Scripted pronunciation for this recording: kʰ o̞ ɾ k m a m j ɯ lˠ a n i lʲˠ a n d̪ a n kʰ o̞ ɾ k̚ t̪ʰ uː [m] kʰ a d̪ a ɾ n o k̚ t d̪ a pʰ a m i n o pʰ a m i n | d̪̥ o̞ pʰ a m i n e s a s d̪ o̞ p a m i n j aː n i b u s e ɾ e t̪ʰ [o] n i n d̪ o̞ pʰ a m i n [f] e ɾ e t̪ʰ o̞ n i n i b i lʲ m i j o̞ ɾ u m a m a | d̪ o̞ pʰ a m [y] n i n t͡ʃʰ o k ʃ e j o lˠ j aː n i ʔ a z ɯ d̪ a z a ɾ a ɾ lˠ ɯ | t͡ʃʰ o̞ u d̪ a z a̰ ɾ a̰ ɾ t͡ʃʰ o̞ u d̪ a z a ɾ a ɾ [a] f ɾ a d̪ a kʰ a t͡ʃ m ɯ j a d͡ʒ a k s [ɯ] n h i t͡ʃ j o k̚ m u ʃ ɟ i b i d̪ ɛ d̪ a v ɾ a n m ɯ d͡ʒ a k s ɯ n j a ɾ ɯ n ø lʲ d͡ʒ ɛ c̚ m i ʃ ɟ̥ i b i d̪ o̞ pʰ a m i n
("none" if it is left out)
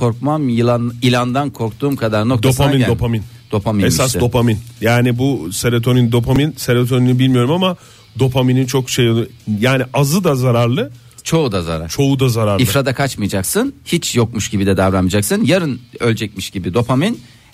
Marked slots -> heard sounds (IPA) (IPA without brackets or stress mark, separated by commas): m, o, s, i, i, ɯ